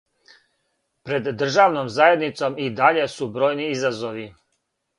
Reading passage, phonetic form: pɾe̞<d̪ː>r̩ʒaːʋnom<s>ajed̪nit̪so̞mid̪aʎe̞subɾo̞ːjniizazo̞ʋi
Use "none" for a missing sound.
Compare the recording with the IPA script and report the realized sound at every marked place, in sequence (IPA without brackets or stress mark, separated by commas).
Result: d̪ː, z